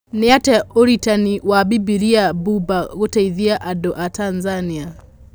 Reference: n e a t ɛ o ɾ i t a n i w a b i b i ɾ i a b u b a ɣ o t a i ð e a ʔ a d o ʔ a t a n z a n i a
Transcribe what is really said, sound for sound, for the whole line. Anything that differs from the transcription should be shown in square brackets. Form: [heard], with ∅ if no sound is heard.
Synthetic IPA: n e a t ɛ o ɾ i t a n i w a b i b i ɾ i a b u b a ɣ o t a i ð [i] a ʔ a d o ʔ a t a n z a n i a